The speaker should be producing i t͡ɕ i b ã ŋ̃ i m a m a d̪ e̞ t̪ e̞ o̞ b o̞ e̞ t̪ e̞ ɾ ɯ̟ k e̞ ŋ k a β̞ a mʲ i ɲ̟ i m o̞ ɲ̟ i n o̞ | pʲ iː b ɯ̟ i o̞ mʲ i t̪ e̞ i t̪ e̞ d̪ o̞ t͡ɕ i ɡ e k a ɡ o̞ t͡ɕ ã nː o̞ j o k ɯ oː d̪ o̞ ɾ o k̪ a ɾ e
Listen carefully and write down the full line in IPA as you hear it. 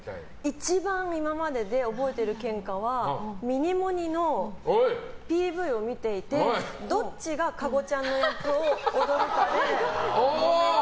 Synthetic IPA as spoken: i t͡ɕ i b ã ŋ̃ i m a m a d̪ e̞ d̪ e̞ o̞ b o̞ e̞ t̪ e̞ ɾ ɯ̟ k ẽ̞ ŋ k a β̞ a mʲ i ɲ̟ i m o̞ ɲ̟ i n o̞ | pʲ iː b ɯ̟ i o̞ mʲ i t̪ e̞ i t̪ e̞ d̪ o̞ t͡ɕ i ɡ a k a ɡ o̞ t͡ɕ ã nː o̞ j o k ɯ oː d̪ o̞ ɾ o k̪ a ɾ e

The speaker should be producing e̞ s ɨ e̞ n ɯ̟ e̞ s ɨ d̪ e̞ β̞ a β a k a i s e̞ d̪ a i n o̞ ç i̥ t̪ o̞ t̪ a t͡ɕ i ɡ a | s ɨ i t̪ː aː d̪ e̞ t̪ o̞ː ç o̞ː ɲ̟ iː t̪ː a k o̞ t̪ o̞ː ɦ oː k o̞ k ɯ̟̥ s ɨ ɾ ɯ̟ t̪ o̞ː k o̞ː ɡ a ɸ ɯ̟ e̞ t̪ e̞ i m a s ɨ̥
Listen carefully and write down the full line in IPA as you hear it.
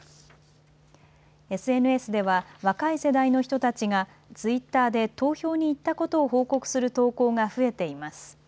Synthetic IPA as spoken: e̞ s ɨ e̞ n ɯ̟ e̞ s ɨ d̪ e̞ β̞ a β a k a i s e̞ d̪ a i n o̞ ç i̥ t̪ o̞ t̪ a t͡ɕ i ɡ a | t͡s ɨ i t̪ː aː d̪ e̞ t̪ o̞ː ç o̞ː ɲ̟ iː t̪ː a k o̞ t̪ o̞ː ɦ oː k o̞ k ɯ̟̥ s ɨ ɾ ɯ̟ t̪ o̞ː k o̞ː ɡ a ɸ ɯ̟ e̞ t̪ e̞ i m a s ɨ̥

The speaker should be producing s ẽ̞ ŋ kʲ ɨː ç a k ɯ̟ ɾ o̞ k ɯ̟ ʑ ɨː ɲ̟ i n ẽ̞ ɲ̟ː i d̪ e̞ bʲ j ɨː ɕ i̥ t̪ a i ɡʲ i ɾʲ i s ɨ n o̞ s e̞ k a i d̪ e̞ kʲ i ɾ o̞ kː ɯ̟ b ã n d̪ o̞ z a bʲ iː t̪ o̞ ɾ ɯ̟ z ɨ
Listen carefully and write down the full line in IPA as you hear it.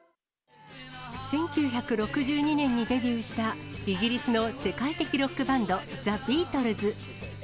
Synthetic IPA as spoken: s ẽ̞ ŋ kʲ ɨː ç a k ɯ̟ ɾ o̞ k ɯ̟ ʑ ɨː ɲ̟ i n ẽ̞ ɲ̟ː i d̪ e̞ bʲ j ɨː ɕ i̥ t̪ a i ɡʲ i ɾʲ i s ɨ n o̞ s e̞ k a i t̪ e̞ kʲ i ɾ o̞ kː ɯ̟ b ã n d̪ o̞ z a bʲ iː t̪ o̞ ɾ ɯ̟ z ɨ

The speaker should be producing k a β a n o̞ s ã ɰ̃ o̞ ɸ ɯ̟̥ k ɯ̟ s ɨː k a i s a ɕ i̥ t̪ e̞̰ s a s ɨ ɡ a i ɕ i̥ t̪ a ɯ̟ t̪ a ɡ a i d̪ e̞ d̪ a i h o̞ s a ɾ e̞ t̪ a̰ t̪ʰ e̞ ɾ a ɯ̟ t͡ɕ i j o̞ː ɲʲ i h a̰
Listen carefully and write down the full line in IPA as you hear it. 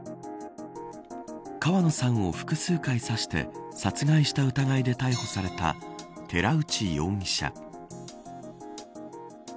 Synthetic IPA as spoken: k a β a n o̞ s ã ɰ̃ o̞ ɸ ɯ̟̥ k ɯ̟ s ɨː k a i s a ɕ i̥ t̪ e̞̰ s a t͡s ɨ ɡ a i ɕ i̥ t̪ a ɯ̟ t̪ a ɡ a i d̪ e̞ t̪ a i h o̞ s a ɾ e̞ t̪ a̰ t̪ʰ e̞ ɾ a ɯ̟ t͡ɕ i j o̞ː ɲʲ i ɕ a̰

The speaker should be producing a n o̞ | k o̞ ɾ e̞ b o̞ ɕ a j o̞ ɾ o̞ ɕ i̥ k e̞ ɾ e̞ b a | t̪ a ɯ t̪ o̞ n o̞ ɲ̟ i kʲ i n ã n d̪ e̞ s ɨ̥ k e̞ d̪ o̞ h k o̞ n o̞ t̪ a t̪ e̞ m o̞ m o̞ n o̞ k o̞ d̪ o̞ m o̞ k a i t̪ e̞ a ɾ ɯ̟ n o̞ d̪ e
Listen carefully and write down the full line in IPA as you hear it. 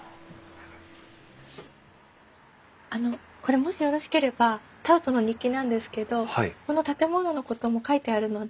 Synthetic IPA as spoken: a n o̞ | k o̞ ɾ e̞ m o̞ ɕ i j o̞ ɾ o̞ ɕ i̥ k e̞ ɾ e̞ b a | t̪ a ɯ t̪ o̞ n o̞ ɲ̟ i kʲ i n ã n d̪ e̞ s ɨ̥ k e̞ d̪ o̞ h k o̞ n o̞ t̪ a t̪ e̞ m o̞ n o̞ n o̞ k o̞ t̪ o̞ m o̞ k a i t̪ e̞ a ɾ ɯ̟ n o̞ d̪ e

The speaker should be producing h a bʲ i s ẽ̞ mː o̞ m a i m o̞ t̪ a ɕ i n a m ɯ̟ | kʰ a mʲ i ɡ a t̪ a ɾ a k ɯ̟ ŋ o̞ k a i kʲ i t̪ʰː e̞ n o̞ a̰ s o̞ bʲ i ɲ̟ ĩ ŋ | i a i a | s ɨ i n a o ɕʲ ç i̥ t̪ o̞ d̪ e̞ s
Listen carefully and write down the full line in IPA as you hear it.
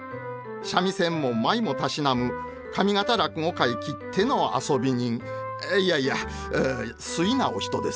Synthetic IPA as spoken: ɕ a mʲ i s ẽ̞ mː o̞ m a i m o̞ t̪ a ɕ i n a m ɯ̟ | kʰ a mʲ i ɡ a t̪ a ɾ a k ɯ̟ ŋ o̞ k a i kʲ i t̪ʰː e̞ n o̞ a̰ s o̞ bʲ i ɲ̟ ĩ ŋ | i a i a | s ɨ i n a o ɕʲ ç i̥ t̪ o̞ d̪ e̞ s

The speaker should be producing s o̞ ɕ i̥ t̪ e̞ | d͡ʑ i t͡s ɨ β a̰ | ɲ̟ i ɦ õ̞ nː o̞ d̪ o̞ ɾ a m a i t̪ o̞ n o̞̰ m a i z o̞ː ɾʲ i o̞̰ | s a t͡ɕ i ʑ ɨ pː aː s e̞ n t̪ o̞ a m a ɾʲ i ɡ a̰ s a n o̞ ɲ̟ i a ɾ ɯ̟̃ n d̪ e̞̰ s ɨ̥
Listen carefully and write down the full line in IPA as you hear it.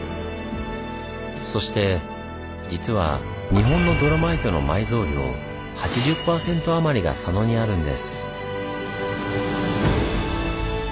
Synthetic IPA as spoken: s o̞ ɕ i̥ t̪ e̞ | d͡ʑ i t͡s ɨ β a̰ | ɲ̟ i ɦ õ̞ nː o̞ d̪ o̞ ɾ a m a i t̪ o̞ n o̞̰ m a i z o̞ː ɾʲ i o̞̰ | h a t͡ɕ i ʑ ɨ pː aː s ẽ̞ n t̪ o̞ a m a ɾʲ i ɡ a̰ s a n o̞ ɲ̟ i a ɾ ɯ̟̃ n d̪ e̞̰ s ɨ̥

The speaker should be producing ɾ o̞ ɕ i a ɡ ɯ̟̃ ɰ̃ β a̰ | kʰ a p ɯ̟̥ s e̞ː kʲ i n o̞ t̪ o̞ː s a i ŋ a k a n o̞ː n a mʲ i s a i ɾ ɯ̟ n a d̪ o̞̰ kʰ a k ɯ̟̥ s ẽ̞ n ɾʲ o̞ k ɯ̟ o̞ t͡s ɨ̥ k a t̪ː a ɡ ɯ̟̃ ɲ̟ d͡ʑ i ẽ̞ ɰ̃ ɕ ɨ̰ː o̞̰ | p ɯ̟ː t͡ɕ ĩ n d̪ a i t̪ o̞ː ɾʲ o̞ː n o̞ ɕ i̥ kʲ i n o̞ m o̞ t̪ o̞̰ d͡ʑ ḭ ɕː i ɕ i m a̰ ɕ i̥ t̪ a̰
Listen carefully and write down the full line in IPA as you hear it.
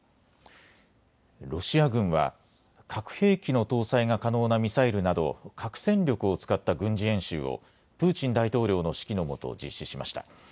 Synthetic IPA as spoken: ɾ o̞ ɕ i a ɡ ɯ̟̃ ɰ̃ β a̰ | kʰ a k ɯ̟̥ h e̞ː kʲ i n o̞ t̪ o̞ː s a i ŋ a k a n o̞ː n a mʲ i s a i ɾ ɯ̟ n a d̪ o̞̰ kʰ a k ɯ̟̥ s ẽ̞ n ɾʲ o̞ k ɯ̟ o̞ t͡s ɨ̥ k a t̪ː a ɡ ɯ̟̃ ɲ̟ d͡ʑ i ẽ̞ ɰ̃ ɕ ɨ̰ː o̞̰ | p ɯ̟ː t͡ɕ ĩ n d̪ a i t̪ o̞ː ɾʲ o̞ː n o̞ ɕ i̥ kʲ i n o̞ m o̞ t̪ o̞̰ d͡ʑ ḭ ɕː i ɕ i m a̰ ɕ i̥ t̪ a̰

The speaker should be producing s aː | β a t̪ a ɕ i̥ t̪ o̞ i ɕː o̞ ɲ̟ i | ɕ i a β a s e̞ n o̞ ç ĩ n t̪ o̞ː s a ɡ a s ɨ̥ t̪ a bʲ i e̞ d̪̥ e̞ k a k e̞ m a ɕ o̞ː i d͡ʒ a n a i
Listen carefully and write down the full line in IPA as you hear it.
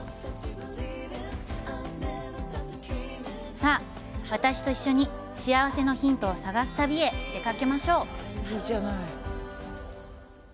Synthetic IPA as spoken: s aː | β a t̪ a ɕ i̥ t̪ o̞ i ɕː o̞ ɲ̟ i | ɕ i a β a s e̞ n o̞ ç ĩ n t̪ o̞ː s a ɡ a s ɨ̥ t̪ a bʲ i e̞ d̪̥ e̞ k a k e̞ m a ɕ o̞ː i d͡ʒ a n a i

